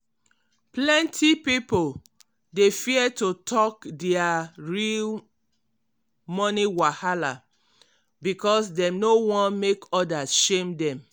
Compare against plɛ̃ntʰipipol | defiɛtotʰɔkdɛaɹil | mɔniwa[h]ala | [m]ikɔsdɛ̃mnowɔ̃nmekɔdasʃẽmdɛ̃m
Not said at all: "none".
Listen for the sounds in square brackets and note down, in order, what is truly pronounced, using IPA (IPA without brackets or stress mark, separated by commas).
h, b